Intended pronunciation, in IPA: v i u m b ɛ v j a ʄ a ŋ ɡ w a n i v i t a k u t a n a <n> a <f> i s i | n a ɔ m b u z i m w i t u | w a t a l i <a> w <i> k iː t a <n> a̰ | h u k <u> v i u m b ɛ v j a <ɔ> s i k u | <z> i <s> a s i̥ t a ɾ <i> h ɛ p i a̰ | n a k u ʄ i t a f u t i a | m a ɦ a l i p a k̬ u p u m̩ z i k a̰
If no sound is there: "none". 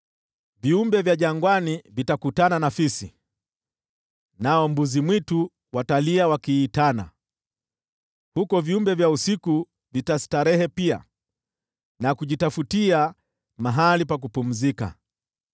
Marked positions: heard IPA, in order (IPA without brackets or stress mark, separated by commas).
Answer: n, f, a, a, n, ɔ, u, v, t, ɛ